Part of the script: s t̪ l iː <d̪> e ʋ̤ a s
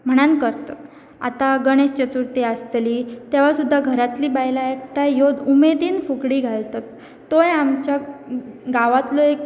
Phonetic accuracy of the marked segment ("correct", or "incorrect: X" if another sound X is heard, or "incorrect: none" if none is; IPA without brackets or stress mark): incorrect: t̪